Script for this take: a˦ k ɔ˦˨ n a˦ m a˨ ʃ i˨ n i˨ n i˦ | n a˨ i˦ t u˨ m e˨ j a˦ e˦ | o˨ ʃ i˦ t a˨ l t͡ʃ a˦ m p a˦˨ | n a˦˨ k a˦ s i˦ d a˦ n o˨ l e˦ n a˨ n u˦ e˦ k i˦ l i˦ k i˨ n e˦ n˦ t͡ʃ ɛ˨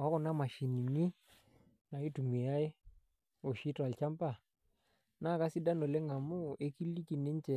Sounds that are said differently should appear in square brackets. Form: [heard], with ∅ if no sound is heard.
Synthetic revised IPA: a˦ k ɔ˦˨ n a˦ m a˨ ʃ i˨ n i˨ n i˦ | n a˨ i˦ t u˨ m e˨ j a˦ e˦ | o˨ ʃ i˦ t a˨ l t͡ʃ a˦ m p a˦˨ | n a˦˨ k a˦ s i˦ d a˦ n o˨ l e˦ [ŋ] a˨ [m] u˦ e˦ k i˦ l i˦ k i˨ n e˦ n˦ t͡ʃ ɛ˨